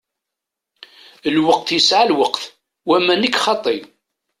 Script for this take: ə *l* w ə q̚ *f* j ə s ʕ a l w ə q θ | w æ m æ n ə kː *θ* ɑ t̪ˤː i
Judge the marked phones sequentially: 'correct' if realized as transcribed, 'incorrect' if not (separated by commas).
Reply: correct, incorrect, incorrect